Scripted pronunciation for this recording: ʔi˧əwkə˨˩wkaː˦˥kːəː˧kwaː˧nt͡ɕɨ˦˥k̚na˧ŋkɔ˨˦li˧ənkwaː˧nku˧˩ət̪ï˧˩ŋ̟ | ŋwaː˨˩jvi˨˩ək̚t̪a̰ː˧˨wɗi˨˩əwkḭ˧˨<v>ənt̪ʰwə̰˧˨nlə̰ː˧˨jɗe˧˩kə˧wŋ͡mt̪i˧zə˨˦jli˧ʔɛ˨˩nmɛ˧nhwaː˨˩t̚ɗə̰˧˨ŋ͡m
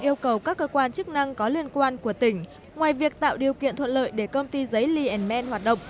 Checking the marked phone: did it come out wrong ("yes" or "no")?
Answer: yes